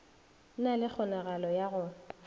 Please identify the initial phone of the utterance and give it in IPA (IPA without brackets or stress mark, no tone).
n